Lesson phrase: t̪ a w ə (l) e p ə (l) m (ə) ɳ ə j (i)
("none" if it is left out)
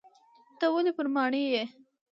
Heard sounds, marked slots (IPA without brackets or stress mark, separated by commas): l, ɾ, ɑ, e